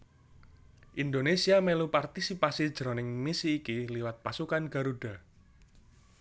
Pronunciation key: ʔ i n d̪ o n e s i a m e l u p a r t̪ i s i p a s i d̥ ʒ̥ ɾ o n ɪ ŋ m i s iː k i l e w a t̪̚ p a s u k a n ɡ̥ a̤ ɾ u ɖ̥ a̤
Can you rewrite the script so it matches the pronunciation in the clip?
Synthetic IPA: ʔ i n d̪ o n e s i a m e l u p a r t̪ i s i p a s i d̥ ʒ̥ ɾ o n ɪ ŋ m i s iː k i l i w a t̪̚ p a s u k a n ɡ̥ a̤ ɾ u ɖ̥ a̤